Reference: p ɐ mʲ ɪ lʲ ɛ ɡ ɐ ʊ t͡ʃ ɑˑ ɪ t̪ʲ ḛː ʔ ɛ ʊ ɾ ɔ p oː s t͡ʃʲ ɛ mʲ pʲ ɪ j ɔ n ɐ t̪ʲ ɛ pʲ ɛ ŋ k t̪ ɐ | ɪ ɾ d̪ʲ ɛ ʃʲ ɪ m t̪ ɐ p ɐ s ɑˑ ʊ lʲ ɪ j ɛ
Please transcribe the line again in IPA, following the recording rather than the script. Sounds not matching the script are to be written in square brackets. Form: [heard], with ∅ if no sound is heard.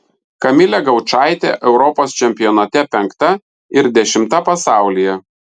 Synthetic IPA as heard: [k] ɐ mʲ ɪ lʲ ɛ ɡ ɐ ʊ t͡ʃ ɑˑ ɪ t̪ʲ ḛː ʔ ɛ ʊ ɾ ɔ p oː s t͡ʃʲ ɛ mʲ pʲ ɪ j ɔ n ɐ t̪ʲ ɛ pʲ ɛ ŋ k t̪ ɐ | ɪ ɾ d̪ʲ ɛ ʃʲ ɪ m t̪ ɐ p ɐ s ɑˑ ʊ lʲ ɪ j ɛ